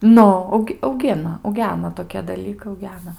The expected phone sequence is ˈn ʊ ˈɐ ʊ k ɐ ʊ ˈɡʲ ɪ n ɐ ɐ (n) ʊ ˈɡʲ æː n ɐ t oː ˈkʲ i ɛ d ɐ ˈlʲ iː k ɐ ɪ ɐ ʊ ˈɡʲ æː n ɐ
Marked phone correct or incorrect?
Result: incorrect